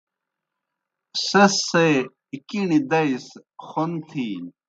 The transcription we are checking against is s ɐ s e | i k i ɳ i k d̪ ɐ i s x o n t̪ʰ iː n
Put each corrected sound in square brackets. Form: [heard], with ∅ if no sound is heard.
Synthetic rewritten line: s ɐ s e | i k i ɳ i [∅] d̪ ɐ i s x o n t̪ʰ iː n